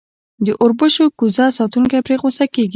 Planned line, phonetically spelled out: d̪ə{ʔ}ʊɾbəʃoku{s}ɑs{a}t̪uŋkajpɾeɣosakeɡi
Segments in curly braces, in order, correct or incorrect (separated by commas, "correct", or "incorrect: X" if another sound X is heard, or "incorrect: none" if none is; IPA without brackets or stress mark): correct, incorrect: z, incorrect: ɑ